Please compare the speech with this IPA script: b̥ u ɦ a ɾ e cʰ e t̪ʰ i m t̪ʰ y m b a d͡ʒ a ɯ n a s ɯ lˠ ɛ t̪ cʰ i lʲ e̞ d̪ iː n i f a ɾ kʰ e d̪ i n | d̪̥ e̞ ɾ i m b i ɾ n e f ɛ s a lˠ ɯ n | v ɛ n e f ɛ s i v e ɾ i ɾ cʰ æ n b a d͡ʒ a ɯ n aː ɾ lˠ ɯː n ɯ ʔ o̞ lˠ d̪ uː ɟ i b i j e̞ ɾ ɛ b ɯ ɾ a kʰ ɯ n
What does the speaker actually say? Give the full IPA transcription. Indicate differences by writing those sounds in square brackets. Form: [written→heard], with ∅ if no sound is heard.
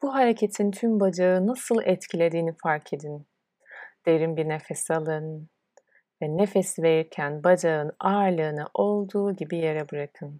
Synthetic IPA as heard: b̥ u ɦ a ɾ e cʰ e t̪ʰ i [m→n] t̪ʰ y m b a d͡ʒ a ɯ n a s ɯ lˠ ɛ t̪ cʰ i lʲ e̞ d̪ iː n i f a ɾ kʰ e d̪ i n | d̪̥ e̞ ɾ i m b i ɾ n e f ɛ s a lˠ ɯ n | v ɛ n e f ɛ s i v e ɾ i ɾ cʰ æ n b a d͡ʒ a ɯ n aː ɾ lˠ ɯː n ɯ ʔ o̞ lˠ d̪ uː ɟ i b i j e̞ ɾ ɛ b ɯ ɾ a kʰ ɯ n